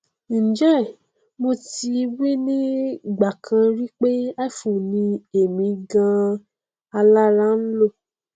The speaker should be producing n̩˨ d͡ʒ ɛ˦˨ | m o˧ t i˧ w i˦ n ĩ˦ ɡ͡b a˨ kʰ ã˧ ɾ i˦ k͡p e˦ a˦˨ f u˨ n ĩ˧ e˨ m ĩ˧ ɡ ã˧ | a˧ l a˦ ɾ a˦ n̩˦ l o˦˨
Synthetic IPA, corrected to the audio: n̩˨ d͡ʒ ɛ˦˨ | m o˧ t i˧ w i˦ n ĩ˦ ɡ͡b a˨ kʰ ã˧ ɾ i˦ k͡p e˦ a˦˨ f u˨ n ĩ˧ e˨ m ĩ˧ ɡ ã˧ | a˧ l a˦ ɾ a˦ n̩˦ l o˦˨

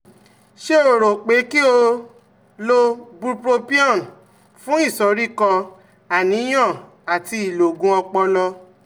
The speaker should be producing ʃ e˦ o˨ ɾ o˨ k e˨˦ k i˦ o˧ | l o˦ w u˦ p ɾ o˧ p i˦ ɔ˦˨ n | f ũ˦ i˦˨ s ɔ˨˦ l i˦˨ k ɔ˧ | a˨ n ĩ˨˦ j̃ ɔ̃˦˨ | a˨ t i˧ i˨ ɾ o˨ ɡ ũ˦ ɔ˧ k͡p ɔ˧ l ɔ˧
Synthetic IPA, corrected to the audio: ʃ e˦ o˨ ɾ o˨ k͡p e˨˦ k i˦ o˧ | l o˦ b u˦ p ɾ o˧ p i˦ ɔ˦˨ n | f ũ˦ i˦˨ s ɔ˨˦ ɾ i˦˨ k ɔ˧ | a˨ n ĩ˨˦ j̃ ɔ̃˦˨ | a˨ t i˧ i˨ l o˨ ɡ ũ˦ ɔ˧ k͡p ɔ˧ l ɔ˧

